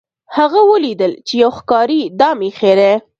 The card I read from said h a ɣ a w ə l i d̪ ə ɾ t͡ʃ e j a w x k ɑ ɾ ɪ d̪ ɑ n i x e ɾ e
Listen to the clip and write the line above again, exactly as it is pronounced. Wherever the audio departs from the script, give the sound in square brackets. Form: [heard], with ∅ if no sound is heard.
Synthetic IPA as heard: h a ɣ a w ə l i d̪ ə [l] t͡ʃ e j a w x k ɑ ɾ [i] d̪ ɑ [m] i x e ɾ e